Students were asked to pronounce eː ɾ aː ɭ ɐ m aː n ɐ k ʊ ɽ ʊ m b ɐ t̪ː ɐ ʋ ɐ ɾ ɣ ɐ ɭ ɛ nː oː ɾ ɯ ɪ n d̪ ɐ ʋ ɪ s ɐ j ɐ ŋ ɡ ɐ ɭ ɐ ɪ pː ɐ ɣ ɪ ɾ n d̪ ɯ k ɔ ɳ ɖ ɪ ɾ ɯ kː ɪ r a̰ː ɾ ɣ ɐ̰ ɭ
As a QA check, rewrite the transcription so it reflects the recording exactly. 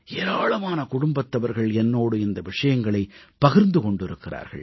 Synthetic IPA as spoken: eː ɾ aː ɭ ɐ m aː n ɐ k ʊ ɽ ʊ m b ɐ t̪ː ɐ ʋ ɐ ɾ ɣ ɐ ɭ ɛ nː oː ɽ ɯ ɪ n d̪ ɐ ʋ ɪ ʂ ɐ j ɐ ŋ ɡ ɐ ɭ ɐ ɪ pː ɐ ɣ ɪ ɾ n d̪ ɯ k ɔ ɳ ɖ ɪ ɾ ɯ kː ɪ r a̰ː ɾ ɣ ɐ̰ ɭ